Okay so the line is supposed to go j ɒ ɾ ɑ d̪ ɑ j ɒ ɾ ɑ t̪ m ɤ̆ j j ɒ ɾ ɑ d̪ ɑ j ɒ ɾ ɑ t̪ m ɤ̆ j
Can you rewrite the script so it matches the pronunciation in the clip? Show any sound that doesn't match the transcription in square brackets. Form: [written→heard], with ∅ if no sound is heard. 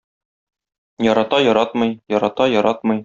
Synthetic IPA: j ɒ ɾ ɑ [d̪→t̪] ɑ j ɒ ɾ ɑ t̪ m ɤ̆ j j ɒ ɾ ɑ [d̪→t̪] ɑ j ɒ ɾ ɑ t̪ m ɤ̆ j